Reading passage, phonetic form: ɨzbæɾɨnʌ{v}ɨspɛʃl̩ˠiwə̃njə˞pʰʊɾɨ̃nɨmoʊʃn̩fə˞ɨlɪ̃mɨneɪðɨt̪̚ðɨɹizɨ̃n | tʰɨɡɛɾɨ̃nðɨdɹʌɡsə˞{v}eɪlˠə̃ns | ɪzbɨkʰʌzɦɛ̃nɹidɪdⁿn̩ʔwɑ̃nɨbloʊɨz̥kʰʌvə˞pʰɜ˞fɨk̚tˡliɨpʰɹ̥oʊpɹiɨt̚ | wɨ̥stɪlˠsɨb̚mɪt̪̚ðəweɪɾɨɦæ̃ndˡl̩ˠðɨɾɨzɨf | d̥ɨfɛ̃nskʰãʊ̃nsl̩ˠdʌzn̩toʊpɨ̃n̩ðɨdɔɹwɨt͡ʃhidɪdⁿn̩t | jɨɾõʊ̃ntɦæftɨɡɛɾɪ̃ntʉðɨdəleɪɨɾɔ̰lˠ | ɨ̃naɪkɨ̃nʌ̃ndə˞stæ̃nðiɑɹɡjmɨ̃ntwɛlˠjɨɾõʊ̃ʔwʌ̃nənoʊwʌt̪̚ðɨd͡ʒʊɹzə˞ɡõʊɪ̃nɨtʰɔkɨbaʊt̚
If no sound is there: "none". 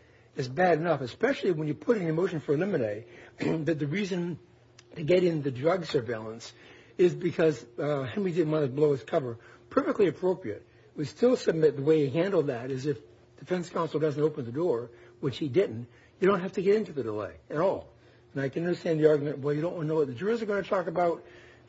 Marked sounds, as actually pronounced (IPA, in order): f, v

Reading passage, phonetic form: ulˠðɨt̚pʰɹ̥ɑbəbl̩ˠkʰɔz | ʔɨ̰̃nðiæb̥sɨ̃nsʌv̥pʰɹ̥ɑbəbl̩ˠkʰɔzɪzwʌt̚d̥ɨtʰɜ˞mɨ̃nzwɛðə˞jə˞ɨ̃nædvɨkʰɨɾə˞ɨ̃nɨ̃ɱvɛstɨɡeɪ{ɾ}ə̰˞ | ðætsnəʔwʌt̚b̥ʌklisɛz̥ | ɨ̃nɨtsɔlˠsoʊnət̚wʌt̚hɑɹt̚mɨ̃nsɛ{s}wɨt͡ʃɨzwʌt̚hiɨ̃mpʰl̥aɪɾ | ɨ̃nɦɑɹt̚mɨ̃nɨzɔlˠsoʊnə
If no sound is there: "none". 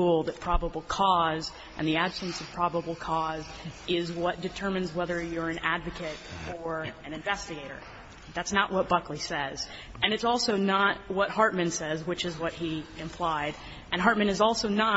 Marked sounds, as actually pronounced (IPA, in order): ɾ, z

